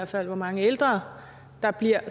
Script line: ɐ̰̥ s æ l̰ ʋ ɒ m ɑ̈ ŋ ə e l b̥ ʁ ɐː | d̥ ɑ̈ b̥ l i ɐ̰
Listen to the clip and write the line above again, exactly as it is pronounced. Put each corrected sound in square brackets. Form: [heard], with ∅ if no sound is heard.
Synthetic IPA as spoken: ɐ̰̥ [f] æ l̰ ʋ ɒ m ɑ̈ ŋ ə e l [d̥] ʁ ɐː | d̥ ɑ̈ b̥ l i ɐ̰